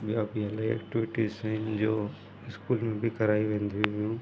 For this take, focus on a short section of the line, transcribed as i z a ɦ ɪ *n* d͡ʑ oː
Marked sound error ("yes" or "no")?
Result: no